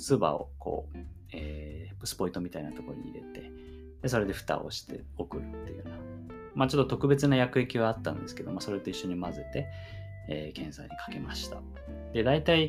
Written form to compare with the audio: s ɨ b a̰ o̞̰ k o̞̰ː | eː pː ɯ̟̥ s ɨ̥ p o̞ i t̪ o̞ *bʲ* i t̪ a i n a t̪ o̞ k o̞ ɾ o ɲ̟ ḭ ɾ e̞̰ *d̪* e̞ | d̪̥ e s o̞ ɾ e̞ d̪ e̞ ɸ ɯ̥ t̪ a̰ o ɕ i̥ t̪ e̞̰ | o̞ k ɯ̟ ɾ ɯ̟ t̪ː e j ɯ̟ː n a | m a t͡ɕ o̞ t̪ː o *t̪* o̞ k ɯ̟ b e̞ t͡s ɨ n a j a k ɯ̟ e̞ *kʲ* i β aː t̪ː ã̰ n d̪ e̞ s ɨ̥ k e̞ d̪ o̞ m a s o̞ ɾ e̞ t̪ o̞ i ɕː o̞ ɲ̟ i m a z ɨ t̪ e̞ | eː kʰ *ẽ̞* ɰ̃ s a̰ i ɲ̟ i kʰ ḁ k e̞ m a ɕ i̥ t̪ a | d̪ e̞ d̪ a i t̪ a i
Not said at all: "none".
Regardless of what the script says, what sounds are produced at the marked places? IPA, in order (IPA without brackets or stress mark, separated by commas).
mʲ, t̪, t̪, kʲ, ẽ̞